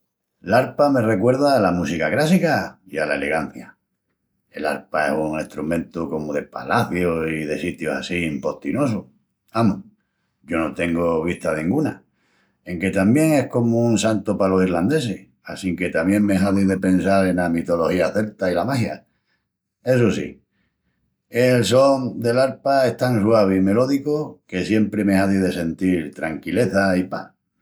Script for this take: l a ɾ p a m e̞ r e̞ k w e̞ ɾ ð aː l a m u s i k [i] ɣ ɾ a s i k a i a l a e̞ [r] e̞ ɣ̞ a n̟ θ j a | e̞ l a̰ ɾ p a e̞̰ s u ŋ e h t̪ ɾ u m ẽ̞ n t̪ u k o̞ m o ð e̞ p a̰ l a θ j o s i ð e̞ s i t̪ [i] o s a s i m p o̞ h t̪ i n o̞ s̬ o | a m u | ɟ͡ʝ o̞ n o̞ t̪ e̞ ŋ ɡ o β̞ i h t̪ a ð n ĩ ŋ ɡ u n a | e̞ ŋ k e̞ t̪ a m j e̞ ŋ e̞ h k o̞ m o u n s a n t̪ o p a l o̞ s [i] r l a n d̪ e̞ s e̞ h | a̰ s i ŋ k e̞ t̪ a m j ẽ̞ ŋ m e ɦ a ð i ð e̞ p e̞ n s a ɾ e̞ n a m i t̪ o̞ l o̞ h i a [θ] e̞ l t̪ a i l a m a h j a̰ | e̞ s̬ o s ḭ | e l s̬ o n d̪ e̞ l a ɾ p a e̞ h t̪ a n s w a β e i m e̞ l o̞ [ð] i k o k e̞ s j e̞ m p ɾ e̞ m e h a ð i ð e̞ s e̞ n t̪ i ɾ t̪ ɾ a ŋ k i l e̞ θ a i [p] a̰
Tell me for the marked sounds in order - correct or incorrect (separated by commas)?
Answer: incorrect, incorrect, incorrect, correct, correct, correct, correct